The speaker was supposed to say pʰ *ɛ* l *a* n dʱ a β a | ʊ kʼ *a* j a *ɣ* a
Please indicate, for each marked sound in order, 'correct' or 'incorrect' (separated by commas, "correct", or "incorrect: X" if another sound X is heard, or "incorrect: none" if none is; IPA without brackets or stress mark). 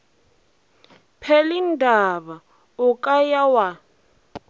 correct, incorrect: i, correct, incorrect: w